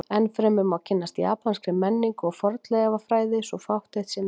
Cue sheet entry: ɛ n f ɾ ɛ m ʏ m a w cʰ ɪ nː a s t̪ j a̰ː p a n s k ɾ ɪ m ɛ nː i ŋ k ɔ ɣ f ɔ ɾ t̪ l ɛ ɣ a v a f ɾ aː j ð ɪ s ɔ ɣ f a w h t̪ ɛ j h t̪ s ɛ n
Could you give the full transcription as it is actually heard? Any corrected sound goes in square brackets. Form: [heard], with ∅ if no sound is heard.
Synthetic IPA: ɛ n f ɾ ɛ m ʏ m a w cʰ ɪ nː a s t̪ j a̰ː p a n s k ɾ ɪ m ɛ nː i ŋ k ɔ ɣ f ɔ ɾ t̪ l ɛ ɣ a v a f ɾ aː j ð ɪ s ɔ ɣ f a w h t̪ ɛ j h t̪ s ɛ n